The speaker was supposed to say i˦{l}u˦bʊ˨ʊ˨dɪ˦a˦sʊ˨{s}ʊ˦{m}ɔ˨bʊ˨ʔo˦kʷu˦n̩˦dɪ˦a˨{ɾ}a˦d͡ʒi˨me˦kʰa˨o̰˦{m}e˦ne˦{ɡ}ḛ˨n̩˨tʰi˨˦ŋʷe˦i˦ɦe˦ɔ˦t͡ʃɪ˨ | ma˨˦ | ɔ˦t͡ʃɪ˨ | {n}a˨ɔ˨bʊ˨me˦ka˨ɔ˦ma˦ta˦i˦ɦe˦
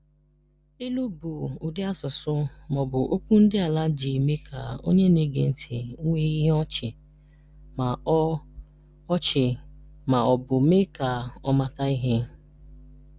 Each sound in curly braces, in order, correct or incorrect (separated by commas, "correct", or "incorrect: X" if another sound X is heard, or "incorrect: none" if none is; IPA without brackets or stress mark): correct, correct, correct, incorrect: l, incorrect: ɲ, correct, incorrect: m